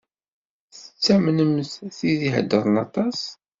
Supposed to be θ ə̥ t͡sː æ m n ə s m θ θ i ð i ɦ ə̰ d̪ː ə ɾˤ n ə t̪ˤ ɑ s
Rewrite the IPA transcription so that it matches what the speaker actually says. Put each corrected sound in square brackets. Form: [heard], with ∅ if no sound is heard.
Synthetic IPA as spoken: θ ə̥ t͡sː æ m n ə [∅] m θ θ i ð i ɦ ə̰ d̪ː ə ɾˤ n [ɑ] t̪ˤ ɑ s